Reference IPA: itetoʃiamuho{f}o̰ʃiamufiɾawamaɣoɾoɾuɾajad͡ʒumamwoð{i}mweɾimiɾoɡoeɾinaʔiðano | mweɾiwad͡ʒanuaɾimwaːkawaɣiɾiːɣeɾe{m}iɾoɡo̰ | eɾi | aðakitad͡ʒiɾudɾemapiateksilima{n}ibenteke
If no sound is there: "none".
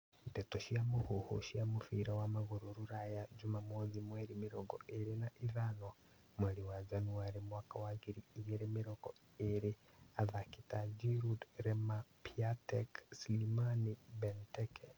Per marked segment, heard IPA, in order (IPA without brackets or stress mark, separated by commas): h, i, m, n